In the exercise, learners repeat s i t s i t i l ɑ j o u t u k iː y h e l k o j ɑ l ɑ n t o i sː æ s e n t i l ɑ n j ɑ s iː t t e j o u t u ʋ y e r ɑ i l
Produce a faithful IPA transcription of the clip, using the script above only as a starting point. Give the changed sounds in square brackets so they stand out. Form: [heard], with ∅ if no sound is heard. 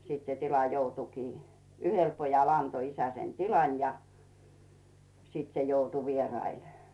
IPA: s i t s [e] t i l ɑ j o u t u k iː y h e l [p] o j ɑ l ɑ n t o i [s] æ s e n t i l ɑ n j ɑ s iː t [s] e j o u t u ʋ [i] e r ɑ i l